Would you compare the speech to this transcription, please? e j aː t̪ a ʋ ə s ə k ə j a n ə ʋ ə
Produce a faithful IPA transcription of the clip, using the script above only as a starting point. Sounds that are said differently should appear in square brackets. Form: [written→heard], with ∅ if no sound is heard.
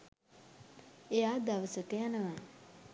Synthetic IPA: e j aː [t̪→d̪] a ʋ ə s ə k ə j a n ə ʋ [ə→a]